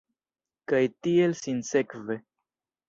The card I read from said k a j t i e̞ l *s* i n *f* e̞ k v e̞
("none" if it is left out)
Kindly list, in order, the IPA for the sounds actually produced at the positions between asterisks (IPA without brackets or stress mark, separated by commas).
s, s